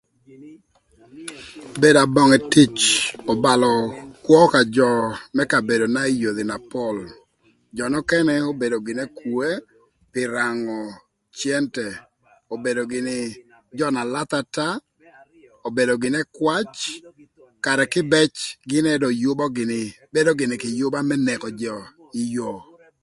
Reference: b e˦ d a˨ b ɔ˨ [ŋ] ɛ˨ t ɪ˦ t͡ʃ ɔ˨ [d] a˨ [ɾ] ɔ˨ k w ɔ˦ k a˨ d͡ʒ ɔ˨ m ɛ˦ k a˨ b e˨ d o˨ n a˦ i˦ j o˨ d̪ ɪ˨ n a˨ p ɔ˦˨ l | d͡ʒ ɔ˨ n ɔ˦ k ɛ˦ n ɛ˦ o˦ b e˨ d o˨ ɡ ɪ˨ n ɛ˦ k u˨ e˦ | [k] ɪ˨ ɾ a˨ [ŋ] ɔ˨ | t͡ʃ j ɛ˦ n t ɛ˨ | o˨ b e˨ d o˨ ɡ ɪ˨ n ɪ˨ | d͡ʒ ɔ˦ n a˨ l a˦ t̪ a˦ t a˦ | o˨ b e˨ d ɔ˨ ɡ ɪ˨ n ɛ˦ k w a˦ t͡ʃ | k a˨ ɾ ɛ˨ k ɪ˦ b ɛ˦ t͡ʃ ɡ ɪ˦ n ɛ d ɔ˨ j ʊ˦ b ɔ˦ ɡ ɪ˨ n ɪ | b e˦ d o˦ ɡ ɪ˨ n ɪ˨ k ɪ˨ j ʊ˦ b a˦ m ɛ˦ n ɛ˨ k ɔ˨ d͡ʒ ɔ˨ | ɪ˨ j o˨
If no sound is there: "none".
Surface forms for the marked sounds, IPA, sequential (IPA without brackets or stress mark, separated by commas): ŋ, b, l, p, ŋ